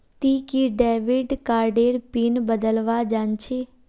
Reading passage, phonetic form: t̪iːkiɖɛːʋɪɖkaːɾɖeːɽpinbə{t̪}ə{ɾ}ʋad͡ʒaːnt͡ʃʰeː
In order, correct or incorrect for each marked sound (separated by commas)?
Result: incorrect, incorrect